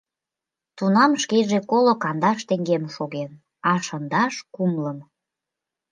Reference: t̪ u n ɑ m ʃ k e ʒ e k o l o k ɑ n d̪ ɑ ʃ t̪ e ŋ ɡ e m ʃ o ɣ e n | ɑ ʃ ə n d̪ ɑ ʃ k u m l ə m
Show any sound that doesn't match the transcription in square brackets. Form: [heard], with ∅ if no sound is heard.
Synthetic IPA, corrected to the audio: t̪ u n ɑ m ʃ k e ʒ e k o l o k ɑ n d̪ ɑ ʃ t̪ e ŋ ɡ e m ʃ o ɣ e n | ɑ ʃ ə n d̪ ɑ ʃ k u m l ə m